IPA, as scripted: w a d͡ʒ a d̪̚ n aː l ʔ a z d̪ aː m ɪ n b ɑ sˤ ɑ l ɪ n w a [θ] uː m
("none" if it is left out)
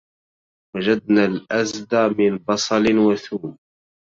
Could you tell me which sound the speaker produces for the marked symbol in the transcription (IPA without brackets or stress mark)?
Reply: θ